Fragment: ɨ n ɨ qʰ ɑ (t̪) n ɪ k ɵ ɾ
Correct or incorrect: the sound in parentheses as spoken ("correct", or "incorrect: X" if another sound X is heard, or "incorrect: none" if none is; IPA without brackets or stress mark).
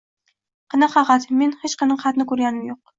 correct